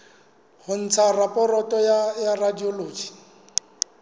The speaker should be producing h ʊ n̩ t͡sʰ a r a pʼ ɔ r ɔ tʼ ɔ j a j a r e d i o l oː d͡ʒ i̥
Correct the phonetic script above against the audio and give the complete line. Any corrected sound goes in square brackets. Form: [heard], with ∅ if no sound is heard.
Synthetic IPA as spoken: h ʊ n̩ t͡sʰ a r a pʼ ɔ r ɔ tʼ ɔ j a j a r [a] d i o l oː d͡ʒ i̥